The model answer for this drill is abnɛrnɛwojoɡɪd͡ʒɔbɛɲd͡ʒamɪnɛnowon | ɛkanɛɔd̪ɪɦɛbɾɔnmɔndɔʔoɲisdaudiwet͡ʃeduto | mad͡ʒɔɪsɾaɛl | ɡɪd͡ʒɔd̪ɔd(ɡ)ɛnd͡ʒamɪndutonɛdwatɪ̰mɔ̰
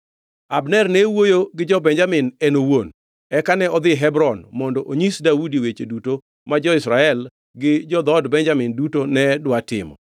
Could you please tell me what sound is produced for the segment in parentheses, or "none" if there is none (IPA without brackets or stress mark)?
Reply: b